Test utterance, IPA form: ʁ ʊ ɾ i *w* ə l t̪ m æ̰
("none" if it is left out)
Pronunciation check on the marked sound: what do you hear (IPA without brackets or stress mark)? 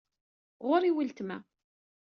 w